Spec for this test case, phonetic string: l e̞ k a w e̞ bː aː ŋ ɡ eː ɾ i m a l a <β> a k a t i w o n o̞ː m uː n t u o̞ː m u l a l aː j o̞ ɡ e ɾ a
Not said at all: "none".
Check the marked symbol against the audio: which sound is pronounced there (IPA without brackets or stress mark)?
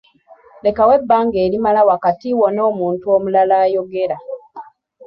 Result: w